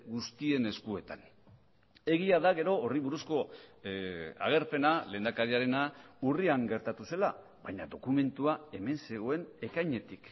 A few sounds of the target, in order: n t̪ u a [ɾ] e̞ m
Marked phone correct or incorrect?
incorrect